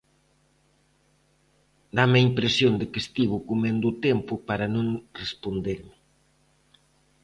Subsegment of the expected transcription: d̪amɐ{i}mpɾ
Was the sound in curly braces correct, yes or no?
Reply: yes